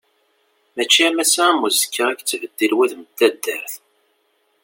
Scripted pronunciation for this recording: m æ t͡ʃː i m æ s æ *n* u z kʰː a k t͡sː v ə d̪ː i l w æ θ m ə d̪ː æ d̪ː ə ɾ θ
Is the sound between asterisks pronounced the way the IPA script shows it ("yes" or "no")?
no